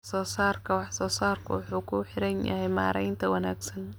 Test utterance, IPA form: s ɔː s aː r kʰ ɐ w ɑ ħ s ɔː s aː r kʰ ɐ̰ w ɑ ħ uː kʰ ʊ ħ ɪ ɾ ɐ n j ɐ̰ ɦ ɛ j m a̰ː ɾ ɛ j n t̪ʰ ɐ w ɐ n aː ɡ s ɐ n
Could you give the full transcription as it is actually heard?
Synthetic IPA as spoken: s ɔː s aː r kʰ ɐ w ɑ ħ s ɔː s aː r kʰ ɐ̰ w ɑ ħ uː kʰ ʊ ħ ɪ ɾ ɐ n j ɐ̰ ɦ ɛ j m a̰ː ɾ ɛ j n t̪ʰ ɐ w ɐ n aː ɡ s ɐ n